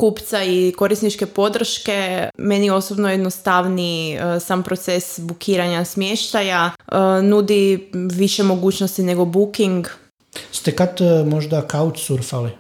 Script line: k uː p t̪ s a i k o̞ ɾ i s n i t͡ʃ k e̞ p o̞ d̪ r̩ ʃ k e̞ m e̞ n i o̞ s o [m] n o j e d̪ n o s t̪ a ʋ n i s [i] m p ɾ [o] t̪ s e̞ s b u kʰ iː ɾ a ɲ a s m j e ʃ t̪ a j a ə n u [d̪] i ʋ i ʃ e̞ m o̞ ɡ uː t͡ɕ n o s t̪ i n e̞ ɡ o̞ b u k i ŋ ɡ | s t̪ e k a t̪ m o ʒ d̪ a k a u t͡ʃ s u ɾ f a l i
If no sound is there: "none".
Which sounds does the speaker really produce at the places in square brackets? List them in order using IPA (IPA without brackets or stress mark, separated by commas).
b, a, o, d̪